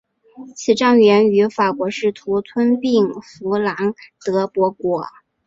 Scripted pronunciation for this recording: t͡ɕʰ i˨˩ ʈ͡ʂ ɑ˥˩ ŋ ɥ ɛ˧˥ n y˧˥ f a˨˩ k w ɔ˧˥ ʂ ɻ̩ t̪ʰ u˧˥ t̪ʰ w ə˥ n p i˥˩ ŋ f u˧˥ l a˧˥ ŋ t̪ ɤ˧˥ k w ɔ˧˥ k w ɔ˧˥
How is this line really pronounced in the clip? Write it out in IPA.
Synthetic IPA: t͡ɕʰ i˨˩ ʈ͡ʂ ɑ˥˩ ŋ ɥ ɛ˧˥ n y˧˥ f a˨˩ k w ɔ˧˥ ʂ ɻ̩ t̪ʰ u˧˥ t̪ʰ w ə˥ n p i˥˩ ŋ f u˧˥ l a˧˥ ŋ t̪ ɤ˧˥ p w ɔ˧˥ k w ɔ˧˥